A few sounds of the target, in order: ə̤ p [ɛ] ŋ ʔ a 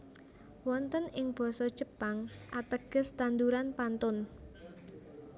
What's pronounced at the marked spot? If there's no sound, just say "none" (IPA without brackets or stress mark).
a